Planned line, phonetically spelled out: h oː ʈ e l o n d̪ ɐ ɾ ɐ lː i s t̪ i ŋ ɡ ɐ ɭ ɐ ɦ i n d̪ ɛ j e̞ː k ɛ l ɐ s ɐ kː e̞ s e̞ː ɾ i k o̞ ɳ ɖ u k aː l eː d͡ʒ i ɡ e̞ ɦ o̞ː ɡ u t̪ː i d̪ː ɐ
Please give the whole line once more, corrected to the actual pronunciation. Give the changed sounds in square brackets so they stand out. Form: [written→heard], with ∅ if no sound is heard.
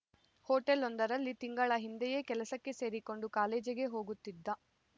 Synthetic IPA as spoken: h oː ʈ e l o n d̪ ɐ ɾ ɐ lː i [s→∅] t̪ i ŋ ɡ ɐ ɭ ɐ ɦ i n d̪ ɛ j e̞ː k ɛ l ɐ s ɐ kː e̞ s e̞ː ɾ i k o̞ ɳ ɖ u k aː l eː d͡ʒ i ɡ e̞ ɦ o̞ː ɡ u t̪ː i d̪ː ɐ